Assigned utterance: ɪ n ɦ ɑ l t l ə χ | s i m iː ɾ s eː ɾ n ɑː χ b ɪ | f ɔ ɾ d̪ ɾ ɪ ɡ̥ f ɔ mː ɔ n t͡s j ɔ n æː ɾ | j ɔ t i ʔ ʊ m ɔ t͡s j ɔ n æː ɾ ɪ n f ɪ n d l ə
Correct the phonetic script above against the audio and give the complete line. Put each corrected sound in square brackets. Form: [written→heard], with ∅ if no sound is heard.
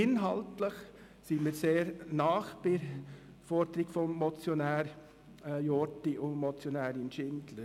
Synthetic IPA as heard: ɪ n ɦ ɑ l t l ə χ | s i m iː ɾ s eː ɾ n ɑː χ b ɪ | f ɔ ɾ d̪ ɾ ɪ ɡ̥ f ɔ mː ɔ [n→∅] t͡s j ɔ n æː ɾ | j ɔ t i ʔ ʊ m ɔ t͡s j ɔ n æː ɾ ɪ n [f→ʃ] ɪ n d l ə